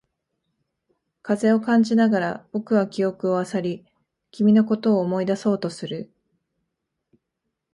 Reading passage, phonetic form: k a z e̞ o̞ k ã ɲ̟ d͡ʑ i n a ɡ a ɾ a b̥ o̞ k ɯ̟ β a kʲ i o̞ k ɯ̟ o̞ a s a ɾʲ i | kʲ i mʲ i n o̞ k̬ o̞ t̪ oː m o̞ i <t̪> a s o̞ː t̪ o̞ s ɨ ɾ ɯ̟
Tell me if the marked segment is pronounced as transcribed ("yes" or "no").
no